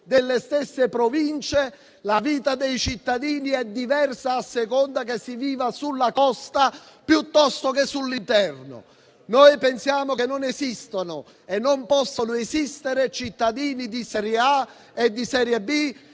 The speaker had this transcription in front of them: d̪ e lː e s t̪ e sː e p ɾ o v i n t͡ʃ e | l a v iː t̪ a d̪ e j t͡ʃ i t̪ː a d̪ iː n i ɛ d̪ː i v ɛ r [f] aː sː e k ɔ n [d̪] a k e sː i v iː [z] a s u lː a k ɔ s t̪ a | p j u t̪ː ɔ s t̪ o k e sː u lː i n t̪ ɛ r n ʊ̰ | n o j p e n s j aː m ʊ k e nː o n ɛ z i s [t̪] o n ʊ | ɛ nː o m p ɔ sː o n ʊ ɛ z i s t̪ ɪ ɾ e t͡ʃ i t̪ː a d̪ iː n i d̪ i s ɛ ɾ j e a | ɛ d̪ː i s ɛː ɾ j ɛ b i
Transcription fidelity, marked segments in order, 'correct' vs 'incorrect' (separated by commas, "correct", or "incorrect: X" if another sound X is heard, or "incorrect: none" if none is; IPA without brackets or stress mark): incorrect: s, correct, incorrect: v, correct